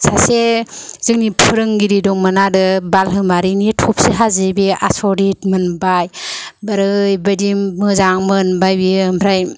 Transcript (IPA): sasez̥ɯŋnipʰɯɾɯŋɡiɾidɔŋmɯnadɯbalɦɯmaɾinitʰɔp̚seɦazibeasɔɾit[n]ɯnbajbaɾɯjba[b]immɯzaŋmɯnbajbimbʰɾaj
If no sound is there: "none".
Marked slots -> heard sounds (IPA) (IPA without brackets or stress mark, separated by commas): m, d